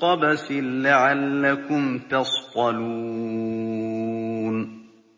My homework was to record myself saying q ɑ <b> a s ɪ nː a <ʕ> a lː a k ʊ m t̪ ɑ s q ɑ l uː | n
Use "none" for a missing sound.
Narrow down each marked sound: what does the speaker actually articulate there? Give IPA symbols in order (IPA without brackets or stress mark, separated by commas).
b, ʕ